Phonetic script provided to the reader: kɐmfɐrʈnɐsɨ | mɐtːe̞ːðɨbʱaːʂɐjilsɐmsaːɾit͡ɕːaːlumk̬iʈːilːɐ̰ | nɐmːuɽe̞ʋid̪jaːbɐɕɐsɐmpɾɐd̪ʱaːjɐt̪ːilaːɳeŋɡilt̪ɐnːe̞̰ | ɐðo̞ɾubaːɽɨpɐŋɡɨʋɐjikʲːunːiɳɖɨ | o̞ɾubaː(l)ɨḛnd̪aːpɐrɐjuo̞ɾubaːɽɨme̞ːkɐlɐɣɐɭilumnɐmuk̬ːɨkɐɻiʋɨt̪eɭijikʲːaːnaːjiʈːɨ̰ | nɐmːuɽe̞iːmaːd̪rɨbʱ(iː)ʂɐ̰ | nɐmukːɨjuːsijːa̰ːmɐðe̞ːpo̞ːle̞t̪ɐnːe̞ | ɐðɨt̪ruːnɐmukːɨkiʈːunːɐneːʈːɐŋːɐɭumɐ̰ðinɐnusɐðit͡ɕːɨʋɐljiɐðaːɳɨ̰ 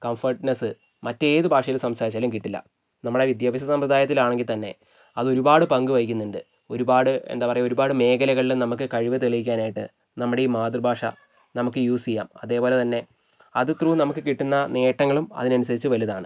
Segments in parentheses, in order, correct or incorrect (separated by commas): incorrect, incorrect